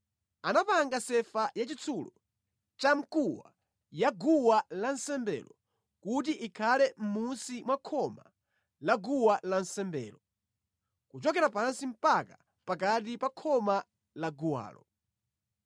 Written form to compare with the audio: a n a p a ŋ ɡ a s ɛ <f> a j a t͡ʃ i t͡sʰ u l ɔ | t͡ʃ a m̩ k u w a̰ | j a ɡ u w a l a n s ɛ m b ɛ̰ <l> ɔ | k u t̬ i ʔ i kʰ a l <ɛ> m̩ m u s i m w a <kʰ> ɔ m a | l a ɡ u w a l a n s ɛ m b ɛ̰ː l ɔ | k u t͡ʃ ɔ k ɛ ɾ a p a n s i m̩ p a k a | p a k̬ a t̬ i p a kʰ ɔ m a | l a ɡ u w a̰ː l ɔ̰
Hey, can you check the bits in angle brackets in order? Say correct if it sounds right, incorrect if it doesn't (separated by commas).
correct, correct, correct, correct